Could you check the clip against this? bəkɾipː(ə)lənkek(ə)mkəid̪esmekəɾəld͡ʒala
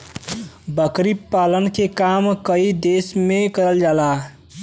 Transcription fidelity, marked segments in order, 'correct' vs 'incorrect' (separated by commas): incorrect, incorrect